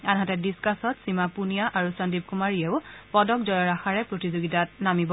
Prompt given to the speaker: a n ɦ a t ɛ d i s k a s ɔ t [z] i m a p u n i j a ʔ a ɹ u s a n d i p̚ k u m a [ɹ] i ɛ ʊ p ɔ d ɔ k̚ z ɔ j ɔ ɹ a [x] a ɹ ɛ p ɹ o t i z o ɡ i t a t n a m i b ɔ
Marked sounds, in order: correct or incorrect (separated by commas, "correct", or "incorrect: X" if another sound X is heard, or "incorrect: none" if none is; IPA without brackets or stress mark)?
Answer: incorrect: s, correct, correct